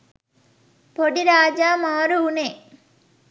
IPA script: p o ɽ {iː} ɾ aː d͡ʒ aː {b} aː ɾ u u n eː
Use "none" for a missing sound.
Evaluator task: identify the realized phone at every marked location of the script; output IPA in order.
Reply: i, m

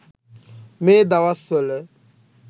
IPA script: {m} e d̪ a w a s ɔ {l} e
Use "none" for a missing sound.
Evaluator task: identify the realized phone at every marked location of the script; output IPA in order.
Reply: m, l

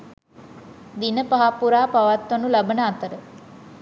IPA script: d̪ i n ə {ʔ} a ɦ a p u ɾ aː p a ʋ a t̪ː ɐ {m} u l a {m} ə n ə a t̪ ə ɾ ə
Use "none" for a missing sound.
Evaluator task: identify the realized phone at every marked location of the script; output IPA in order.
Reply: p, n, b

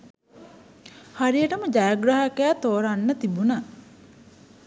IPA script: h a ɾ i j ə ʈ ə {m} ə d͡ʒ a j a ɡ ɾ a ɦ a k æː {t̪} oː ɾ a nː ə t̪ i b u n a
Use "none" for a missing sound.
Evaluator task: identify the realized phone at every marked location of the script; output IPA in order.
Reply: m, t̪

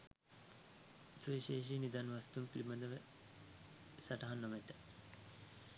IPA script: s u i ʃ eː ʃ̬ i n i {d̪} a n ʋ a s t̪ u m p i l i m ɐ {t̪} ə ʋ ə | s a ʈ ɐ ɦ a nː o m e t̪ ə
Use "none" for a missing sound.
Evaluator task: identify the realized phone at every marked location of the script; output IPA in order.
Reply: d̪, d̪

